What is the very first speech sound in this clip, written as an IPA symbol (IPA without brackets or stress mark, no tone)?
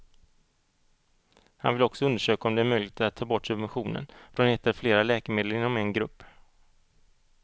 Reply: h